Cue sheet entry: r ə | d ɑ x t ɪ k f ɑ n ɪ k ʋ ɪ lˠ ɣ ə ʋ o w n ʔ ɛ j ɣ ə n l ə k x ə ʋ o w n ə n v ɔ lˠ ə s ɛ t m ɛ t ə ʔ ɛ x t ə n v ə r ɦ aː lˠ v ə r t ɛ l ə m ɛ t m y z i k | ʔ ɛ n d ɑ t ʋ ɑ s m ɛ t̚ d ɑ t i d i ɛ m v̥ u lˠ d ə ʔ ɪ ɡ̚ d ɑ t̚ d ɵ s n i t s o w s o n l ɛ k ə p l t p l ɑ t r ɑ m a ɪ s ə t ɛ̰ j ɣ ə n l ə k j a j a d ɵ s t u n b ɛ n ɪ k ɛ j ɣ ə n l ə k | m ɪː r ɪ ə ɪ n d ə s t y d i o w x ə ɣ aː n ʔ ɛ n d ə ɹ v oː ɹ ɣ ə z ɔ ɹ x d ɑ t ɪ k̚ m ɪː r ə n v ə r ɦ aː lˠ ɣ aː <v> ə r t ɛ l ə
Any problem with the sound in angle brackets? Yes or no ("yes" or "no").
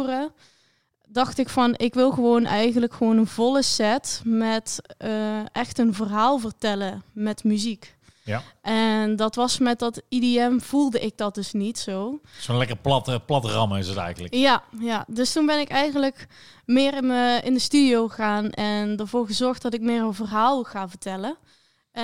no